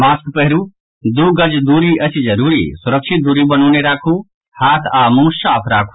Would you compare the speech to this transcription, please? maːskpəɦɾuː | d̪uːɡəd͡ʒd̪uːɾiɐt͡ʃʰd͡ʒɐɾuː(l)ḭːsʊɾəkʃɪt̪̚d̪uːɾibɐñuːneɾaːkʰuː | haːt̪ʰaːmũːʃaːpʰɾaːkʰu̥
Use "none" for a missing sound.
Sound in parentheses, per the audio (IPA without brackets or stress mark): ɾ